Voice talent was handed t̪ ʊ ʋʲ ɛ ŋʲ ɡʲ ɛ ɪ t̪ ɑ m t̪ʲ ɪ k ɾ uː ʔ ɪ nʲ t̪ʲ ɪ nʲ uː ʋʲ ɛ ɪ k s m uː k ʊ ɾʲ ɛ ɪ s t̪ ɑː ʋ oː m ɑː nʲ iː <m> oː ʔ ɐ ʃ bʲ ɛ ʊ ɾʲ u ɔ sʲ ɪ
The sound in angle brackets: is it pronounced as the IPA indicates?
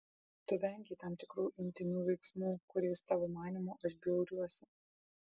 yes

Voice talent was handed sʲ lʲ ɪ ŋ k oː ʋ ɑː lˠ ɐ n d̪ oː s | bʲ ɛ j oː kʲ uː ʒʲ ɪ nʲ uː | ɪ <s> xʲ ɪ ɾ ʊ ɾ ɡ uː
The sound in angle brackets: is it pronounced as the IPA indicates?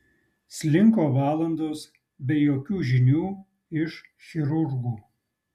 no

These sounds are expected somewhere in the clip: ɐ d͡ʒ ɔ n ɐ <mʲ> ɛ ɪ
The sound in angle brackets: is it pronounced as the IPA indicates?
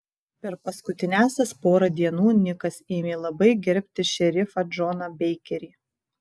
no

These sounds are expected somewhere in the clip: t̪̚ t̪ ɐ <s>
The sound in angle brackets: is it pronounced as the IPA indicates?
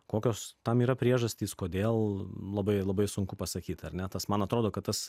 yes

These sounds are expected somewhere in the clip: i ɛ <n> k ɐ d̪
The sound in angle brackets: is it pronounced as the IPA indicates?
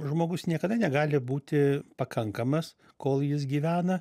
no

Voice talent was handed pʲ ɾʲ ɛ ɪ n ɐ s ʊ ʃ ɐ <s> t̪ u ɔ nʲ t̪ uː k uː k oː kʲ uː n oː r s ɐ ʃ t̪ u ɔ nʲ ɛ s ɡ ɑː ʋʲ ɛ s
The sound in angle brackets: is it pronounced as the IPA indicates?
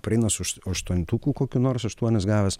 no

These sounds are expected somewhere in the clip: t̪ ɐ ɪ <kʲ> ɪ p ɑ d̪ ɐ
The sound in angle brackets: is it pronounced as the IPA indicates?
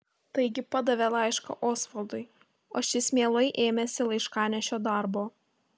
no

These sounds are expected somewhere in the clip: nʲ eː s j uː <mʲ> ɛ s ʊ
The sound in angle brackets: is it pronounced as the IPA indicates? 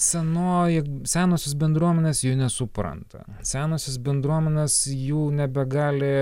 no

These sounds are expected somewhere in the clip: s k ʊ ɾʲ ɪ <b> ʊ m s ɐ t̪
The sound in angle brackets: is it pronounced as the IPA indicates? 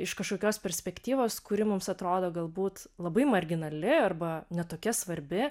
no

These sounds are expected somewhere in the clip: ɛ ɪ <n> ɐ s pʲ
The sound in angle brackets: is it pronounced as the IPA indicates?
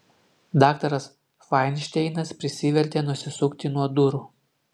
yes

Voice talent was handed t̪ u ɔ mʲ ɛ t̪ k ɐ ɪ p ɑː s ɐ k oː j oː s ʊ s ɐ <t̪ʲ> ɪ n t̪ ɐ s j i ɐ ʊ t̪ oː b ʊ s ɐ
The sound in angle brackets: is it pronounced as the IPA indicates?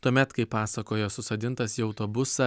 no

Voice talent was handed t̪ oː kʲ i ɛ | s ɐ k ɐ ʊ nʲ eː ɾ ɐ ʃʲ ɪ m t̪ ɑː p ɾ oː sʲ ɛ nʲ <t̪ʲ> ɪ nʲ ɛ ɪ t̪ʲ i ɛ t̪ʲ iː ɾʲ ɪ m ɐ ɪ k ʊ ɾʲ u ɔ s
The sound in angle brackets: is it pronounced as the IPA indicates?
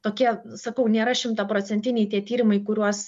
yes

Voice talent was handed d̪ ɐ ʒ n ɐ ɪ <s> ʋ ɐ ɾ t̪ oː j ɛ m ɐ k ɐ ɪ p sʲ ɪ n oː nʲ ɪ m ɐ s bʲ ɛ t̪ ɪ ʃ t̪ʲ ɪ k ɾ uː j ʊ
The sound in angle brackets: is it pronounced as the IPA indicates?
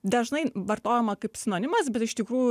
no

